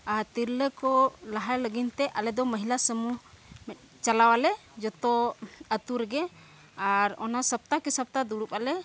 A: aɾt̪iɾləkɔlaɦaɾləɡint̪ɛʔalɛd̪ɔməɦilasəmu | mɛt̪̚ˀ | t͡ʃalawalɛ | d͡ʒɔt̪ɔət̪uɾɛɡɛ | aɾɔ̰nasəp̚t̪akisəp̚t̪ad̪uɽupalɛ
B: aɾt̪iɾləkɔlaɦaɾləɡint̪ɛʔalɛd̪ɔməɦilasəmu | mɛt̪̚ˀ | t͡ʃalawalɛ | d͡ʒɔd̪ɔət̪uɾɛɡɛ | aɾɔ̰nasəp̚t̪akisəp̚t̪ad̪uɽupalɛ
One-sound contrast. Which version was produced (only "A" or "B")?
A